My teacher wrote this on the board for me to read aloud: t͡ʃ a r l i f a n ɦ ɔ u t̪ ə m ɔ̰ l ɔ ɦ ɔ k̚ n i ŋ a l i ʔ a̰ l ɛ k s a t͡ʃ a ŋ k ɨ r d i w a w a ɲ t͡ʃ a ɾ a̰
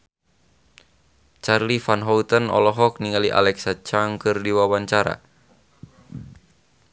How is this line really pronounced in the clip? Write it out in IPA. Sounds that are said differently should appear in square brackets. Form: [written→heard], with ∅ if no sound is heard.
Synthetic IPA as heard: t͡ʃ a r l i f a n ɦ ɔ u t̪ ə [m→n] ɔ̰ l ɔ ɦ ɔ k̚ n i ŋ a l i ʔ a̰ l ɛ k s a t͡ʃ a ŋ k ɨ r d i w a w a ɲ t͡ʃ a ɾ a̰